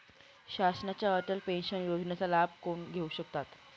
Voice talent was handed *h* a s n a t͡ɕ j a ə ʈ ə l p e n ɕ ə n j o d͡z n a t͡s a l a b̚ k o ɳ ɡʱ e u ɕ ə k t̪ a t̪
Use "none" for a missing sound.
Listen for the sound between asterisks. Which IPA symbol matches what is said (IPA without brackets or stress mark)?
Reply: ɕ